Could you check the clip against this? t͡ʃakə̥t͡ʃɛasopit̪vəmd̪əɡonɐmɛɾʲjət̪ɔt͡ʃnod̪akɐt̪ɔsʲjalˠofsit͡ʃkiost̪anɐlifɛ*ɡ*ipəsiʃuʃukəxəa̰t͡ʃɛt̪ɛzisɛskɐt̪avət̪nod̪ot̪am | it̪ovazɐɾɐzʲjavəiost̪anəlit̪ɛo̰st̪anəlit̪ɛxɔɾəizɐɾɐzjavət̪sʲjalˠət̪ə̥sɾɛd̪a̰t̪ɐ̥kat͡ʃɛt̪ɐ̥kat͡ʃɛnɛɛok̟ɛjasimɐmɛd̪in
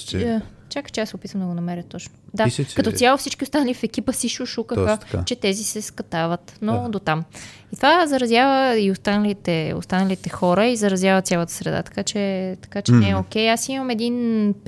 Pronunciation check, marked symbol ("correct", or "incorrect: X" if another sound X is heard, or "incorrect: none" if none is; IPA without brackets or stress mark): incorrect: k